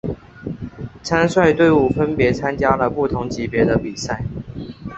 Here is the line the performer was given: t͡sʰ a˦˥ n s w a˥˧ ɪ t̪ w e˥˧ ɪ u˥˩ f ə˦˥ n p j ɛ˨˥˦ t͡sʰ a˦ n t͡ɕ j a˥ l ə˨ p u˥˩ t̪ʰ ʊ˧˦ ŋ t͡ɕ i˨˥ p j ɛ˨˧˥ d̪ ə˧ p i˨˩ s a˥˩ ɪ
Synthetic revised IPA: t͡sʰ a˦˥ n s w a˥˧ ɪ t̪ w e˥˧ ɪ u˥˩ f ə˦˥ n p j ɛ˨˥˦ t͡sʰ a˦ n t͡ɕ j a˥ l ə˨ p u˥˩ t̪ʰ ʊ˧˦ ŋ t͡ɕ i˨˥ p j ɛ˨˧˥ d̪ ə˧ p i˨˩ s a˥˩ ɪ